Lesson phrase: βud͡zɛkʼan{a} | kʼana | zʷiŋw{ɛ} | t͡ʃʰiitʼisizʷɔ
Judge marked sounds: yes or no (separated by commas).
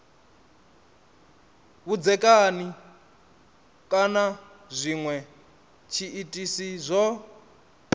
no, yes